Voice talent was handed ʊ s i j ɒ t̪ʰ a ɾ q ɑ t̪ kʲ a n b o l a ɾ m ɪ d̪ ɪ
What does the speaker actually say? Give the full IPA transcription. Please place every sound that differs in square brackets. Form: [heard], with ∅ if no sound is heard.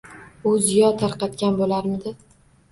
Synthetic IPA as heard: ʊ [z] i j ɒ t̪ʰ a ɾ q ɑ t̪ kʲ a n b o l a ɾ m ɪ d̪ ɪ